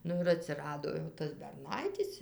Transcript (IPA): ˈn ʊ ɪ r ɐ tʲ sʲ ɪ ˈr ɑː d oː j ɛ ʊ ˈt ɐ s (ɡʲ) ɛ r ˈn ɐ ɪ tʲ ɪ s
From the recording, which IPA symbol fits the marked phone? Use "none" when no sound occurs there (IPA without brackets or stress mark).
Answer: bʲ